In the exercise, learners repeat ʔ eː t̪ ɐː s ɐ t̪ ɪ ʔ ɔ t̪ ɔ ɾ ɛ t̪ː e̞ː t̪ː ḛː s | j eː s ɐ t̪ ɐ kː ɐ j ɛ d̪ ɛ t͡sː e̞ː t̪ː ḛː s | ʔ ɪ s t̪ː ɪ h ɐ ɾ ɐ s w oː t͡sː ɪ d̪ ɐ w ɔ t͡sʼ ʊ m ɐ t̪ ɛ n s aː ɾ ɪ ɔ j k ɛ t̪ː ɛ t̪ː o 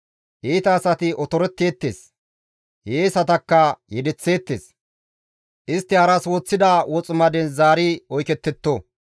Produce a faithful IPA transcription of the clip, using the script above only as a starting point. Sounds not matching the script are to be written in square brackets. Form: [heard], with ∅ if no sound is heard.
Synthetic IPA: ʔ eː t̪ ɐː s ɐ t̪ ɪ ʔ ɔ t̪ ɔ ɾ ɛ t̪ː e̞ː t̪ː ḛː s | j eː s ɐ t̪ ɐ kː ɐ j ɛ d̪ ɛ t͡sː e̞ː t̪ː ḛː s | ʔ ɪ s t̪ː ɪ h ɐ ɾ ɐ s w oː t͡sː ɪ d̪ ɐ w ɔ t͡sʼ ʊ m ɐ [d̪] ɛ n [z] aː ɾ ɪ ɔ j k ɛ t̪ː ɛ t̪ː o